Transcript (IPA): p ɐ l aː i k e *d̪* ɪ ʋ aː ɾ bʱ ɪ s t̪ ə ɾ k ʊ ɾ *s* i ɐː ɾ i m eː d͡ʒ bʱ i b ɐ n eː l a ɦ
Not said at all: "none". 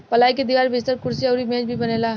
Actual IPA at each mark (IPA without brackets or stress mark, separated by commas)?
d̪, s